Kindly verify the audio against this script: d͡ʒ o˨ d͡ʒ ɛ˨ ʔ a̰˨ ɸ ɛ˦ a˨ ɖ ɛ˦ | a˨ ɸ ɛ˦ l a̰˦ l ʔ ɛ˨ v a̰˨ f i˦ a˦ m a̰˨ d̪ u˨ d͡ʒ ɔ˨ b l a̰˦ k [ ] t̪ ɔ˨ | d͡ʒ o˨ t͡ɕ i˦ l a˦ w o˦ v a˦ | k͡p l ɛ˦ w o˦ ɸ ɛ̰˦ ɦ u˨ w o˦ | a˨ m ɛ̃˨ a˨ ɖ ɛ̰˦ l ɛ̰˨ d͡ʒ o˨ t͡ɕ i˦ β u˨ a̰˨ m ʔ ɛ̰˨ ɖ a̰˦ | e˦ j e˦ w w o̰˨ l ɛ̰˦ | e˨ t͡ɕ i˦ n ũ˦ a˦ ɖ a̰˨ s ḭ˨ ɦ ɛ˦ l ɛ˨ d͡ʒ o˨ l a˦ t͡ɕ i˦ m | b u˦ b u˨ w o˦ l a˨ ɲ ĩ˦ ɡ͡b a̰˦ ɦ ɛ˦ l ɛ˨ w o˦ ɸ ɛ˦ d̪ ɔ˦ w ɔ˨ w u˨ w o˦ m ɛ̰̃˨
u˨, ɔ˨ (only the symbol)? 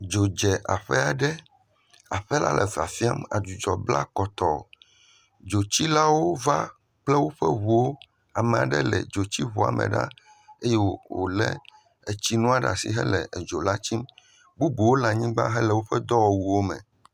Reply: ɔ˨